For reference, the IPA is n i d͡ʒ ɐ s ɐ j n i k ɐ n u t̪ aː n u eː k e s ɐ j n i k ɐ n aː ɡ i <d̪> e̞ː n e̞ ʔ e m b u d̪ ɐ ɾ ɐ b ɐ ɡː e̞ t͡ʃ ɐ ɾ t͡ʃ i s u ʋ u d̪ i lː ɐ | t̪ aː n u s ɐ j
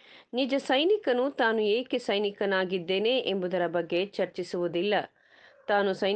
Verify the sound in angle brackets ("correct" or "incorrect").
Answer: incorrect